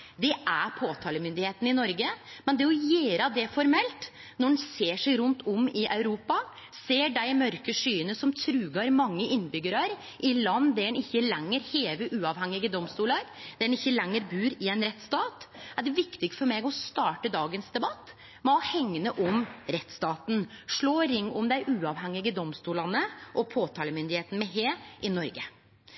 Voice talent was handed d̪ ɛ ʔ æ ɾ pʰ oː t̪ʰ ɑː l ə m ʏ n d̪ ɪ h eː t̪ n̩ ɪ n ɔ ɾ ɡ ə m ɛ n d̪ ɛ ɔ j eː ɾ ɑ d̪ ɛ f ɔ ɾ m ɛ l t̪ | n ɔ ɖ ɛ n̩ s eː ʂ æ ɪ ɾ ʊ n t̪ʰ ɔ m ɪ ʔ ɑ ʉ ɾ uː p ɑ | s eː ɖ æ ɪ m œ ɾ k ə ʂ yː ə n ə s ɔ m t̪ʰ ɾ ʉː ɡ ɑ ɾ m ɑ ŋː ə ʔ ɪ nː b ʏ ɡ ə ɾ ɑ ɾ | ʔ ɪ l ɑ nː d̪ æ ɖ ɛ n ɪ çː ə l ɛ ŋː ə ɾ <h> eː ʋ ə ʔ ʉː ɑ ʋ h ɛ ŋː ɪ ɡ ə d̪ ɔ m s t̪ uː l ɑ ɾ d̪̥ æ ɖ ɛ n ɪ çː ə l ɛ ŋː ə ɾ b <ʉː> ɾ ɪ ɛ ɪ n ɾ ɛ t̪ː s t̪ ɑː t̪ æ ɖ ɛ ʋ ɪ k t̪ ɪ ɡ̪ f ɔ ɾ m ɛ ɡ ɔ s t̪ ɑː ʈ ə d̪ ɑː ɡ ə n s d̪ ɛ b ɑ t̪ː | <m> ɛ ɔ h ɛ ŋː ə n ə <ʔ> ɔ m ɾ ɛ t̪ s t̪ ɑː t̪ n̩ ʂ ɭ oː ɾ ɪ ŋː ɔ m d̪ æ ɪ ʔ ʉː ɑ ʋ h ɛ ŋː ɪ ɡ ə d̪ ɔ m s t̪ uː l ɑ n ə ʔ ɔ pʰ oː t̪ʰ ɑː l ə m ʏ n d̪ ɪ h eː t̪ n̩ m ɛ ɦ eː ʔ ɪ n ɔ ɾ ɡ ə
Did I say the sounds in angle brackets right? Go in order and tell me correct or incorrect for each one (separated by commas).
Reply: correct, correct, correct, correct